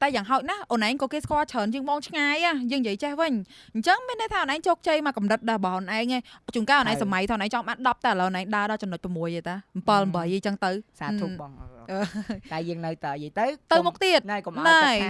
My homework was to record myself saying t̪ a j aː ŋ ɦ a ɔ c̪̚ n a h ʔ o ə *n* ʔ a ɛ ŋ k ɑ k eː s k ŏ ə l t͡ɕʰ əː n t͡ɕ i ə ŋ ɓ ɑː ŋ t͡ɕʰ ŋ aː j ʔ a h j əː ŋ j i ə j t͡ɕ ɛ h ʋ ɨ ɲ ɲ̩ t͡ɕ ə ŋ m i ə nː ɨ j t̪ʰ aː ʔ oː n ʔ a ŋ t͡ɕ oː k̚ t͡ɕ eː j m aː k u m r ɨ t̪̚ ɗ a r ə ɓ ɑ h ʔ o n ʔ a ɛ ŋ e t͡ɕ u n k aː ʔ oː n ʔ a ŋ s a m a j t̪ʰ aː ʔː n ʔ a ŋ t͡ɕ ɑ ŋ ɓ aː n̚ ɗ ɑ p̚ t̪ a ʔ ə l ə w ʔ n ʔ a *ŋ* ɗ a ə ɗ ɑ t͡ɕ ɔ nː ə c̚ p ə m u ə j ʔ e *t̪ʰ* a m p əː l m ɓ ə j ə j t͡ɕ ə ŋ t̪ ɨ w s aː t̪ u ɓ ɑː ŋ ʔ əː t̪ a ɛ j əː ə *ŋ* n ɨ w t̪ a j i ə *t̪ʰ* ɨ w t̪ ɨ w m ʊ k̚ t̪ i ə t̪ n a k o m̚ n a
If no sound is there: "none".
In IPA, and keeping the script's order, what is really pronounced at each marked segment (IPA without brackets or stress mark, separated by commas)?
n, ŋ, t̪, ŋ, t̪